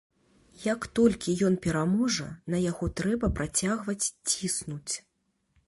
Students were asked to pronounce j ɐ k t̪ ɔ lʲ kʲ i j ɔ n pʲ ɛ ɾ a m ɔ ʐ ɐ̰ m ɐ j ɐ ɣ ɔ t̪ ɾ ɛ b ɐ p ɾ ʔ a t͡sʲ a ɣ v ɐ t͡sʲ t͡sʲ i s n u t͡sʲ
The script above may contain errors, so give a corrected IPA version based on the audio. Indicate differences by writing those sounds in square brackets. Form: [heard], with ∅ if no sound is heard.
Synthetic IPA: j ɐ k t̪ ɔ lʲ kʲ i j ɔ n pʲ ɛ ɾ a m ɔ ʐ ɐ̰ [n] ɐ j [a] ɣ ɔ t̪ ɾ ɛ b ɐ p ɾ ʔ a t͡sʲ a ɣ v ɐ t͡sʲ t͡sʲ i s n u t͡sʲ